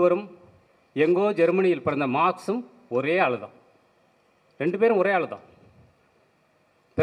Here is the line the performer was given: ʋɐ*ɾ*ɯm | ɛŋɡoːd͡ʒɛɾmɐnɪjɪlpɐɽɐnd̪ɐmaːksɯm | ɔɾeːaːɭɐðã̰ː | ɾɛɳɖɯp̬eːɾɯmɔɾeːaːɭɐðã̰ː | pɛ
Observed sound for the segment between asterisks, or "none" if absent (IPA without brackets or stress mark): ɾ